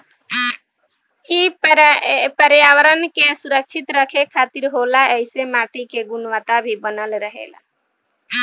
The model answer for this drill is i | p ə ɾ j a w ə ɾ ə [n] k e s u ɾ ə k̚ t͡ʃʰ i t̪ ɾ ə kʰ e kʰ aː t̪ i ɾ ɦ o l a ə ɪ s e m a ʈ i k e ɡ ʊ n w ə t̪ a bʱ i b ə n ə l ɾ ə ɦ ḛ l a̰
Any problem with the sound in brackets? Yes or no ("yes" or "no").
no